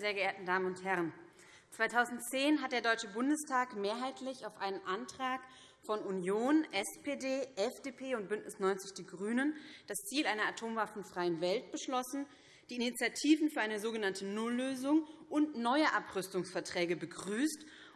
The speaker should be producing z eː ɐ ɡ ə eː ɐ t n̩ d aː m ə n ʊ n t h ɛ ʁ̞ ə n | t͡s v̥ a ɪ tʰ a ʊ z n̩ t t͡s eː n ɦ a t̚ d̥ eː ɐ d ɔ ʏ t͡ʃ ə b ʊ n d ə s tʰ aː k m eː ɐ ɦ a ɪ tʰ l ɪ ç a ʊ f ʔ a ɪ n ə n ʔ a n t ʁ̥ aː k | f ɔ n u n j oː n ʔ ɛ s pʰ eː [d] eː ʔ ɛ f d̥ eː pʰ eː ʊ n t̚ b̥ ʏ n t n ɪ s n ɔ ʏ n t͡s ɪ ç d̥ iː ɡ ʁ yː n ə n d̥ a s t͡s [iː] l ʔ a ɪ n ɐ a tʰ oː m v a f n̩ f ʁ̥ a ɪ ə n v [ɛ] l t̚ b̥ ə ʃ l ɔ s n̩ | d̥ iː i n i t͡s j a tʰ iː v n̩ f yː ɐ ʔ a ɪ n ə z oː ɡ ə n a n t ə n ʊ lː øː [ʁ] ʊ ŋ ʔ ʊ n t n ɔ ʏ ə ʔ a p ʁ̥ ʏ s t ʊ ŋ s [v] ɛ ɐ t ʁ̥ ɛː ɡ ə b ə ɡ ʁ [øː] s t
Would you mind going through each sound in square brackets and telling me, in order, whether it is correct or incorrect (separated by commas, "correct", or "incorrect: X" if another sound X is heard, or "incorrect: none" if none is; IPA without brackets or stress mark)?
correct, correct, correct, incorrect: z, incorrect: f, incorrect: yː